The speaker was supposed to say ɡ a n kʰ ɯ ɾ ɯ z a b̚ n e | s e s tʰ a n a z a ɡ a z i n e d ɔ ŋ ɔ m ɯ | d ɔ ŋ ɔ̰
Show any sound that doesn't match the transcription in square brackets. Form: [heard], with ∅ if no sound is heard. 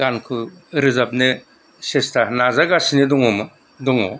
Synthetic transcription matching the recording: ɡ a n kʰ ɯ ɾ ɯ z a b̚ n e | s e s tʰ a n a z a ɡ a [s] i n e d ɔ ŋ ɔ m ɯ | d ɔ ŋ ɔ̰